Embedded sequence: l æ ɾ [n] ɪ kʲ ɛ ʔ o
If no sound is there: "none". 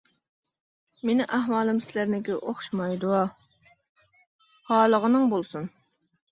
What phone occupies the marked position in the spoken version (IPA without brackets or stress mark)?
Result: n